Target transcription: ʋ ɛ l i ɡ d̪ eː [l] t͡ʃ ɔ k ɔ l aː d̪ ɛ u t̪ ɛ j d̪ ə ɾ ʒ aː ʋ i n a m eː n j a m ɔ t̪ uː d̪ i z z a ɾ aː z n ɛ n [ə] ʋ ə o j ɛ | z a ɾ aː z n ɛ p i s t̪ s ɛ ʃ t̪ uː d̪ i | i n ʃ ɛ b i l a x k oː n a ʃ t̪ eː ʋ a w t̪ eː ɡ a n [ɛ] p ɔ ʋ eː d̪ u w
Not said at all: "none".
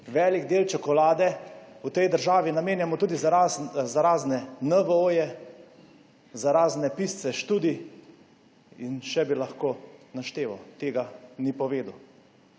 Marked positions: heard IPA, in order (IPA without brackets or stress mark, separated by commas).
l, ə, i